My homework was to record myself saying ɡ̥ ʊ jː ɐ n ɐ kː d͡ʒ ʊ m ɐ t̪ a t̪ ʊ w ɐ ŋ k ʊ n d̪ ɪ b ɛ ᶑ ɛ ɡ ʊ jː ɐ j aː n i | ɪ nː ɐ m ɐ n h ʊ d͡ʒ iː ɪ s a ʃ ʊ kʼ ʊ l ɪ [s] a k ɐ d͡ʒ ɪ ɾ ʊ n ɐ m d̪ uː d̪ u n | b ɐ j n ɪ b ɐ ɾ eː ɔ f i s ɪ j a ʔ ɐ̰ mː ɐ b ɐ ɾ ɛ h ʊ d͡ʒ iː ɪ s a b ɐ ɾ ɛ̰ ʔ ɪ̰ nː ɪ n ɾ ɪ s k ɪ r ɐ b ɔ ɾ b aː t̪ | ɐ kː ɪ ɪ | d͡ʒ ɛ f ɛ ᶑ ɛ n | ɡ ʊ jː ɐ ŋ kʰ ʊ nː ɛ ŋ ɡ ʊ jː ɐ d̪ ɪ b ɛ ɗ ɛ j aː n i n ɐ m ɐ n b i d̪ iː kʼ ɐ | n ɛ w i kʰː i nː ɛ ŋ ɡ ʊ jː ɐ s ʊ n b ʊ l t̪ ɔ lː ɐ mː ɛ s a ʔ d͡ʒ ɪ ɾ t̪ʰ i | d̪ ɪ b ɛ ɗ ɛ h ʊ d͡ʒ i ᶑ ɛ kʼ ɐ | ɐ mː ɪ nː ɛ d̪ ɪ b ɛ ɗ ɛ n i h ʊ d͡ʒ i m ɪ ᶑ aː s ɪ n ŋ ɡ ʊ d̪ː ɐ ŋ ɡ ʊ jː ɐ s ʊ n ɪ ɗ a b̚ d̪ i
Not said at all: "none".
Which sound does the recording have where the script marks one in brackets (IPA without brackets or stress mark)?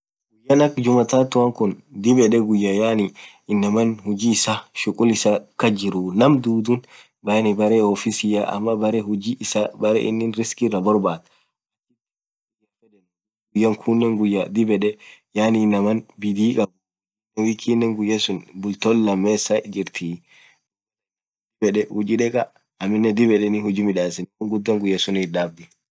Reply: s